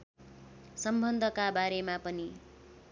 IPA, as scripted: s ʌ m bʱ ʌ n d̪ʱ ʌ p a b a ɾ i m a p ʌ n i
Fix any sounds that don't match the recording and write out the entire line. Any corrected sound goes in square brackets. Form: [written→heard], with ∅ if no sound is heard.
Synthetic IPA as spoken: s ʌ m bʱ ʌ n d̪ʱ ʌ [p→k] a b a ɾ [i→e] m a p ʌ n i